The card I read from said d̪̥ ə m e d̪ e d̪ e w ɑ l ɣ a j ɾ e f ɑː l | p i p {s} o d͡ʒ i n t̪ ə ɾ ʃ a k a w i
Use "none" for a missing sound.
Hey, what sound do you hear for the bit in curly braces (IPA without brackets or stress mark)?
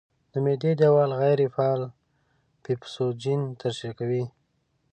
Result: s